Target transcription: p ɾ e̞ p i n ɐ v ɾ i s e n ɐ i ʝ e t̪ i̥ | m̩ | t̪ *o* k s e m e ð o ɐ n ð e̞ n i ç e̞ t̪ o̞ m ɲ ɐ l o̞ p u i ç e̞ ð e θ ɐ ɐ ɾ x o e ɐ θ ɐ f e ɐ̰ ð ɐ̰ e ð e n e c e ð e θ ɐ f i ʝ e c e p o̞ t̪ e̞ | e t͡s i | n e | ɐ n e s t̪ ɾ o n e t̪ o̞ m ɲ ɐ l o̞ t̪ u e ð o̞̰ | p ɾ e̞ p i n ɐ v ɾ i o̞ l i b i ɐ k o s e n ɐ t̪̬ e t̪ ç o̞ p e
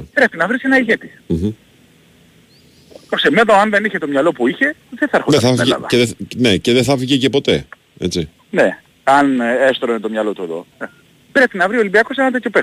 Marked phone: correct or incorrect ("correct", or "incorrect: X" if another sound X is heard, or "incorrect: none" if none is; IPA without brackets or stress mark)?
correct